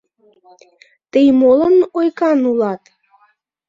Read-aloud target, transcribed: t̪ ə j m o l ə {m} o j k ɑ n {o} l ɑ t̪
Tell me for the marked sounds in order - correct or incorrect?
incorrect: n, incorrect: u

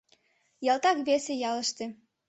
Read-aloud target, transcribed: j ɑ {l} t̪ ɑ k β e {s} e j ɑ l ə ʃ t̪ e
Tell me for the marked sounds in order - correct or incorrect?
correct, correct

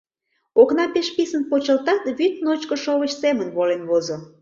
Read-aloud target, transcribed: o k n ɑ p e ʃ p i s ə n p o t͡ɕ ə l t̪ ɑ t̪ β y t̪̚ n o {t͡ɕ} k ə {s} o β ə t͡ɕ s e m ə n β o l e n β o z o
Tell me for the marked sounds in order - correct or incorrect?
correct, incorrect: ʃ

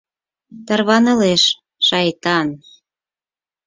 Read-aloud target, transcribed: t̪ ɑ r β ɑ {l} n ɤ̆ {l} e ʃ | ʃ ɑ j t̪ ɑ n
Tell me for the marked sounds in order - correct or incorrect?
incorrect: none, correct

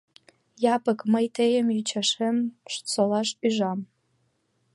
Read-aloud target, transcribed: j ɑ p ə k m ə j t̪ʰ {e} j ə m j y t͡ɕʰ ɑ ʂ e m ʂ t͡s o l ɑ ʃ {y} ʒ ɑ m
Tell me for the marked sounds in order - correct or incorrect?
correct, correct

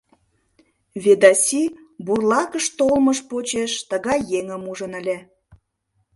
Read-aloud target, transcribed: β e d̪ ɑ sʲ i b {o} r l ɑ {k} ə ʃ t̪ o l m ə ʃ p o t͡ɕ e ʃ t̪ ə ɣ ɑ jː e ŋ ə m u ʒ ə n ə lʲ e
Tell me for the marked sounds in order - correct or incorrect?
incorrect: u, correct

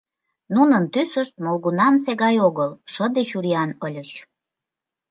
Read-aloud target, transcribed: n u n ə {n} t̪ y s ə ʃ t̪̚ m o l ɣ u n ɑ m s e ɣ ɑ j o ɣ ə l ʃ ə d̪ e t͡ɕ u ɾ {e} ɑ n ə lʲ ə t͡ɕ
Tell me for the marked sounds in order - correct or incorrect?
correct, incorrect: i

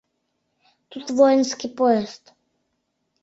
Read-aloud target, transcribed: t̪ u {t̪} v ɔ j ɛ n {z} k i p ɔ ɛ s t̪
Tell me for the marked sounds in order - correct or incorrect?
correct, incorrect: s

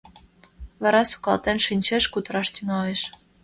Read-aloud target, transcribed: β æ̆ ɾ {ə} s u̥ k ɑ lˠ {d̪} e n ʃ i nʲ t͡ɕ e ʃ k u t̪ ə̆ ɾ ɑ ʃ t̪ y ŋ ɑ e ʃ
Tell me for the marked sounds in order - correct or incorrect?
incorrect: ɑ, incorrect: t̪

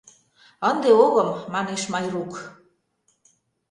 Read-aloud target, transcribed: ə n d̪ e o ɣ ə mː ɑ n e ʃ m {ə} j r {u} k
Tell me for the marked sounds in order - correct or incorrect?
incorrect: ɑ, correct

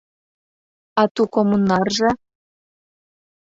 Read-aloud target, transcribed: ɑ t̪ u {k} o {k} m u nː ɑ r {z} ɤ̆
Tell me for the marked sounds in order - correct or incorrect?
correct, incorrect: none, incorrect: ʒ

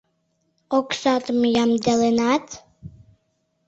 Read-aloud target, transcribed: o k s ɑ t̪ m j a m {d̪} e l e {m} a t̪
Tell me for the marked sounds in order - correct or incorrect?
correct, incorrect: n

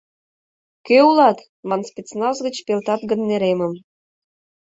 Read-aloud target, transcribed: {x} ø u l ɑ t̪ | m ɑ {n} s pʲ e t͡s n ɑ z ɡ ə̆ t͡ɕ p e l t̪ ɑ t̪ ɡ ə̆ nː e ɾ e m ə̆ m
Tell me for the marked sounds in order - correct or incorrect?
incorrect: k, correct

